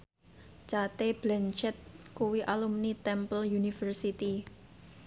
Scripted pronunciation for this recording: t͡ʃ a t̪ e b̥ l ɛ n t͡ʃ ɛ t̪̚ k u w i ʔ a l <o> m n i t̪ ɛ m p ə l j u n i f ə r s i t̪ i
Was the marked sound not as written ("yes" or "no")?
yes